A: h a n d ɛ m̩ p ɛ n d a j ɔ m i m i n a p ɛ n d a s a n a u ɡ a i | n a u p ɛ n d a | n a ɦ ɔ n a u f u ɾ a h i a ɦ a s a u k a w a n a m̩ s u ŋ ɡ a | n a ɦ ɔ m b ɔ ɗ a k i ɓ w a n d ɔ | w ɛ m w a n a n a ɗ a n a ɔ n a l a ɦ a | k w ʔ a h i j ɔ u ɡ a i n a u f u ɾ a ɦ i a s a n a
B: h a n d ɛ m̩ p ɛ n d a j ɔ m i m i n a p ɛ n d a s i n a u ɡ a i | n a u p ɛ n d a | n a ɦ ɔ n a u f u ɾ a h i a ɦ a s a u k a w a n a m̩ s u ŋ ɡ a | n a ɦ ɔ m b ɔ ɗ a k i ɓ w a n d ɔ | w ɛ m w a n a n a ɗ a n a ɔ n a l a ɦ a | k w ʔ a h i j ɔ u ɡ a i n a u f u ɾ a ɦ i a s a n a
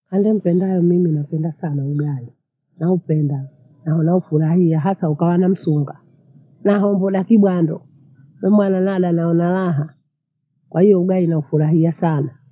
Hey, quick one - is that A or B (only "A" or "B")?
A